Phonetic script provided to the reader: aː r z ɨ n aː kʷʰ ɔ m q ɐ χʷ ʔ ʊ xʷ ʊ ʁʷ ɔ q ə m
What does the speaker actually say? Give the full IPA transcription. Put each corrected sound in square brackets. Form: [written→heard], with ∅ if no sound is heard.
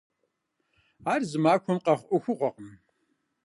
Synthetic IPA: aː r z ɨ [n→m] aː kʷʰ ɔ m q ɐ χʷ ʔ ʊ xʷ ʊ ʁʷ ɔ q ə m